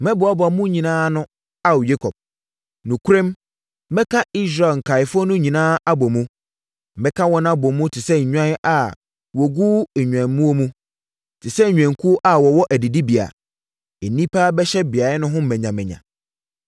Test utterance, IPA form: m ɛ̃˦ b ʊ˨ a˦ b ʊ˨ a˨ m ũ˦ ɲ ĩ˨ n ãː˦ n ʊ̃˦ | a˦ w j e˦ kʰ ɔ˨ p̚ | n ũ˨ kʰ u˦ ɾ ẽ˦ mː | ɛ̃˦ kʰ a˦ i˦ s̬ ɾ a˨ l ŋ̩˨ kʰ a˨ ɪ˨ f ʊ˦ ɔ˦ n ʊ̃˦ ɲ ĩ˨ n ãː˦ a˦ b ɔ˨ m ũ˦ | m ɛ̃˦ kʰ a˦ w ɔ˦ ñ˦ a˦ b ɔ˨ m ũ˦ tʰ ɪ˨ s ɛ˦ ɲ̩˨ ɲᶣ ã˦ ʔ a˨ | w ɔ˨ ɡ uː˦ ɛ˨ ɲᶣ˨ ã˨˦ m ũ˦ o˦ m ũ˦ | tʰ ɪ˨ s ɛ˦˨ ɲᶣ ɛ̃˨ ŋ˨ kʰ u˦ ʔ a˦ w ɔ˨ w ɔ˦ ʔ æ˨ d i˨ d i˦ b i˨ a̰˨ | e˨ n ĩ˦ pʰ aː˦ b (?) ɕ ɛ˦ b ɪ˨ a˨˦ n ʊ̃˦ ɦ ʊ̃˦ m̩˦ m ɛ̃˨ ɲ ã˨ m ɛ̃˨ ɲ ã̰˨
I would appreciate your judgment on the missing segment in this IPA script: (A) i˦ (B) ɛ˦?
B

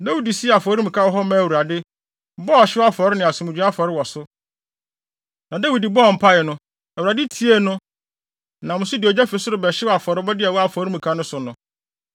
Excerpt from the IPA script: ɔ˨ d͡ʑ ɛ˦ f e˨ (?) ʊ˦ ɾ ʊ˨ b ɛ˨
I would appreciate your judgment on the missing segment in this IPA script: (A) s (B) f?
A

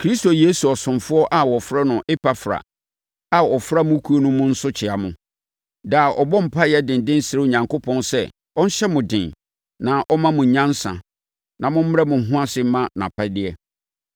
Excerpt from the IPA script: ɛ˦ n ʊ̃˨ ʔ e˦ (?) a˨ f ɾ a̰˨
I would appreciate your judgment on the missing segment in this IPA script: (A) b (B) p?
B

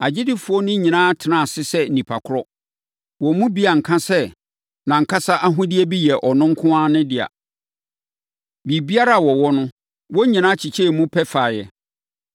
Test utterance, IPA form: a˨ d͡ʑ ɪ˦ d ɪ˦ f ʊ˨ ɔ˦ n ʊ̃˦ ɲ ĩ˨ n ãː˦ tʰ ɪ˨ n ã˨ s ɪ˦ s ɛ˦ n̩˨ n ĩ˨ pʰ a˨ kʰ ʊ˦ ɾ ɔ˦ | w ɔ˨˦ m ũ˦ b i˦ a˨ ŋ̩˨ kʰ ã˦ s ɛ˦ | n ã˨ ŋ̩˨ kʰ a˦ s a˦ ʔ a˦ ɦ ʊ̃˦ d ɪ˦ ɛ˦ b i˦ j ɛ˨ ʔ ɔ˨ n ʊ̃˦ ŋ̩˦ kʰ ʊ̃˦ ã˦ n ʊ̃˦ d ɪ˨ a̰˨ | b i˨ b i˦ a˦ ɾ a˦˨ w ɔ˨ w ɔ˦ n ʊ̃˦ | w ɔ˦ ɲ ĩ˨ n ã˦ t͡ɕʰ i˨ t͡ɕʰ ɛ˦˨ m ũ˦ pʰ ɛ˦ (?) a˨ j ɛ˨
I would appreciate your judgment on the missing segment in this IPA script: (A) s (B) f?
B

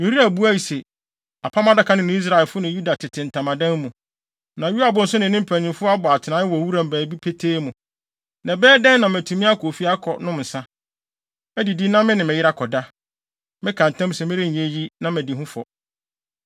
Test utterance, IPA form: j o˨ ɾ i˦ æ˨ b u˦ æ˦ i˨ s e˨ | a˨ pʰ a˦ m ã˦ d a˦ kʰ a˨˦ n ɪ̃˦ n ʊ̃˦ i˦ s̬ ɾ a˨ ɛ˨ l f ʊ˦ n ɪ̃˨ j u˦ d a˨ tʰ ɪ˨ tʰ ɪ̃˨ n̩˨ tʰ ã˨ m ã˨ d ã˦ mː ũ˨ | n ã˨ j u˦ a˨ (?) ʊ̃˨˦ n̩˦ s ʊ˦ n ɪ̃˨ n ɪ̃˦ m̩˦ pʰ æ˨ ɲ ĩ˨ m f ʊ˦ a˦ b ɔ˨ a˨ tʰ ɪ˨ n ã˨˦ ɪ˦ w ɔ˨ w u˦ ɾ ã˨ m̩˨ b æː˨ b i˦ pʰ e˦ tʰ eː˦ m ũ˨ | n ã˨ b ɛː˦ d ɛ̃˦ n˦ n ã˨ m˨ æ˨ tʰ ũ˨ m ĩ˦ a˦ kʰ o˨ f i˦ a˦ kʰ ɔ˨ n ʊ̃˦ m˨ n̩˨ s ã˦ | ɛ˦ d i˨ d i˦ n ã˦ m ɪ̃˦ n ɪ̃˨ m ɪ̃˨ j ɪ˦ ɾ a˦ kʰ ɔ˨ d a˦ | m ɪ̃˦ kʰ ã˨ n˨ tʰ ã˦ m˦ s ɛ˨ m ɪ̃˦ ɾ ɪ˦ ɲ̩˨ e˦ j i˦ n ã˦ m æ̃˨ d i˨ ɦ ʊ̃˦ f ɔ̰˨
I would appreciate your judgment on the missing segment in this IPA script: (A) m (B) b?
B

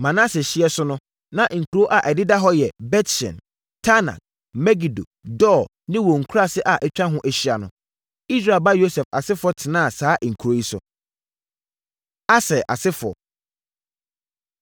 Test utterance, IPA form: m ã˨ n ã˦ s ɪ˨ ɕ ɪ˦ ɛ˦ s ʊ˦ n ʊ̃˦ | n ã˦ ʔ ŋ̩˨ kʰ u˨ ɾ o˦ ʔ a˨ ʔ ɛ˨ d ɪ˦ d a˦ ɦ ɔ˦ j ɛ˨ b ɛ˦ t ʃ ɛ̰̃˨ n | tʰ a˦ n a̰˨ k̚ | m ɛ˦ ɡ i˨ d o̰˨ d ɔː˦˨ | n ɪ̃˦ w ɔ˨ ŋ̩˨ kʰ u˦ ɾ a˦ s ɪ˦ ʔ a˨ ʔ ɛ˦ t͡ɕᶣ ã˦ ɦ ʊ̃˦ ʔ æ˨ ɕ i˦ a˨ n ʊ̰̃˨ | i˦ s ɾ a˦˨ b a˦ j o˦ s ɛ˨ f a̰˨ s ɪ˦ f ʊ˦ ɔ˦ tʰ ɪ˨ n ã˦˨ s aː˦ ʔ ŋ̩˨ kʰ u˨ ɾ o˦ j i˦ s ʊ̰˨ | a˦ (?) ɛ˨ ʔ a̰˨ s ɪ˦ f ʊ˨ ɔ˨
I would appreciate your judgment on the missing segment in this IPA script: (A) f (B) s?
B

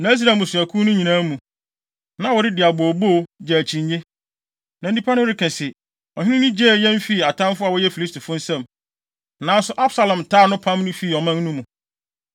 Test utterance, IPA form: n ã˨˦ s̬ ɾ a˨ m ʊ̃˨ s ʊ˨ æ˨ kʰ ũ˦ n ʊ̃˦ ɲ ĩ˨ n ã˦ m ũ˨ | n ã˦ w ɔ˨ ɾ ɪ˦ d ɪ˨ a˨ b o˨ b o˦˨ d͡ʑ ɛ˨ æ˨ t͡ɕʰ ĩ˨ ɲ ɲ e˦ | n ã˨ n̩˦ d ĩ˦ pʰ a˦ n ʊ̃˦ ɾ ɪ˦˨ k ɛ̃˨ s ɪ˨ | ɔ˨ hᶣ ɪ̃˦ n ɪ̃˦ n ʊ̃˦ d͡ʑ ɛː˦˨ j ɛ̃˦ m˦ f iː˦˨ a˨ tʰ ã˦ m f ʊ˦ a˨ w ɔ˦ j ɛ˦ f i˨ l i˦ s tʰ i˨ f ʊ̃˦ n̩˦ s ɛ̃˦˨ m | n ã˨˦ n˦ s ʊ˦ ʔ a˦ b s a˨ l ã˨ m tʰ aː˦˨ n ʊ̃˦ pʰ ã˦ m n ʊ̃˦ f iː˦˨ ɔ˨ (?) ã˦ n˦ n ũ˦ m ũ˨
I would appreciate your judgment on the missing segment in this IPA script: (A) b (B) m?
B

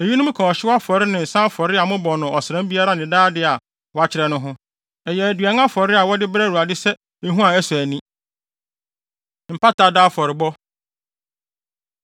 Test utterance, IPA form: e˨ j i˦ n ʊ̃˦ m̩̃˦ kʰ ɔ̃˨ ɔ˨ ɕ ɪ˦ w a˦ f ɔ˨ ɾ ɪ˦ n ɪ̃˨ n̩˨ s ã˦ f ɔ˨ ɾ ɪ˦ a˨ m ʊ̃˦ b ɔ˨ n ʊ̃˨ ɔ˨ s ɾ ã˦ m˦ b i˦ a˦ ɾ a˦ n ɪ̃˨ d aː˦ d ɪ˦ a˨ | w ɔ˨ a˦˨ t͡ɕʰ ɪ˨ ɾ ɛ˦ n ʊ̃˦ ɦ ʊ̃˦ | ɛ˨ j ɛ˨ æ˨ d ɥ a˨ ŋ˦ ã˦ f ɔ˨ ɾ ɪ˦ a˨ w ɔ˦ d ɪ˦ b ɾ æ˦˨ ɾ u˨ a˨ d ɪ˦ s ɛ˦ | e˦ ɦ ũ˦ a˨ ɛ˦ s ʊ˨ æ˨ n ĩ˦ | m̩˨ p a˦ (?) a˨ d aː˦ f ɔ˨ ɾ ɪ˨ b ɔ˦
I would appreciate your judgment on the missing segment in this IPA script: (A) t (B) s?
A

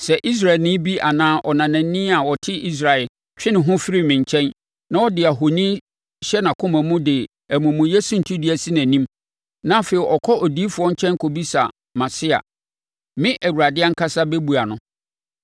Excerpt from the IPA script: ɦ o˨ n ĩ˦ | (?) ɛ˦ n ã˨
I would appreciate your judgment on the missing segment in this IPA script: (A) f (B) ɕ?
B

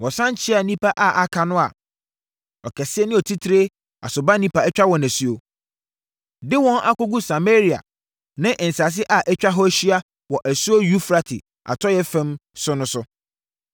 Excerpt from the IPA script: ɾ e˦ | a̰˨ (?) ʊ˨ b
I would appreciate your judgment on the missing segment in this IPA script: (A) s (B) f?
A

